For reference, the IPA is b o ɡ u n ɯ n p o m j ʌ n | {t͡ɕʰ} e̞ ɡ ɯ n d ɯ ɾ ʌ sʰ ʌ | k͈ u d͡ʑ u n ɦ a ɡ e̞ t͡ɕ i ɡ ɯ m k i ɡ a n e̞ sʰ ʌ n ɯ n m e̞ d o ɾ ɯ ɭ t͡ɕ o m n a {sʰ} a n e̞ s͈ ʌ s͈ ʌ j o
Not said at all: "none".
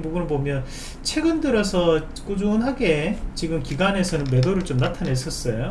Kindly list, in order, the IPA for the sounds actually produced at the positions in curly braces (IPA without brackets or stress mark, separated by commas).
t͡ɕʰ, tʰ